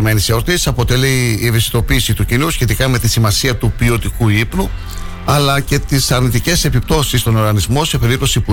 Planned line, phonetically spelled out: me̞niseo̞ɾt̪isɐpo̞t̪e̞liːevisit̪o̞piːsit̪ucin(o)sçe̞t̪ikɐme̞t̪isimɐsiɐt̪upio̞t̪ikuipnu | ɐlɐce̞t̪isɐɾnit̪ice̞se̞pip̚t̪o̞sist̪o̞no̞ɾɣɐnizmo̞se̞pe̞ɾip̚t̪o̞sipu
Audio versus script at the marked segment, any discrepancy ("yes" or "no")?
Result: yes